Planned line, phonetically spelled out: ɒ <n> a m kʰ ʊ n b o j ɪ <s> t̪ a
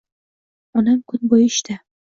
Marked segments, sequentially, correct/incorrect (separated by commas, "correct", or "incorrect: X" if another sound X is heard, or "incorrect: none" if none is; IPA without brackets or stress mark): correct, incorrect: ʃ